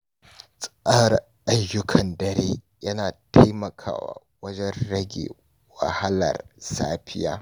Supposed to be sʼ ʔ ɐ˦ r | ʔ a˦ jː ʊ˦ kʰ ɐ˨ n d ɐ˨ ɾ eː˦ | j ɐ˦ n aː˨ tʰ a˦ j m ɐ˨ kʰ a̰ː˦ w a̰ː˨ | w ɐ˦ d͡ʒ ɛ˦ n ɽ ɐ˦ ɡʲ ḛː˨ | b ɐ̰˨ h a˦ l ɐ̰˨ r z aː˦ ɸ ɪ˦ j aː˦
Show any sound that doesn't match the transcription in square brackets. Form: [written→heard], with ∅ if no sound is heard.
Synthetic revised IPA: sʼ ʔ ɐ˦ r | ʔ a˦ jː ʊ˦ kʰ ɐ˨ n d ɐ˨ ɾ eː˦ | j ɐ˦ n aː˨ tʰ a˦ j m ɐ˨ kʰ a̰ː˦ w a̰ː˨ | w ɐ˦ d͡ʒ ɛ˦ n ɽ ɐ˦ ɡʲ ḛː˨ | [b→w] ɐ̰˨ h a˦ l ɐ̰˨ r [z→s] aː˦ ɸ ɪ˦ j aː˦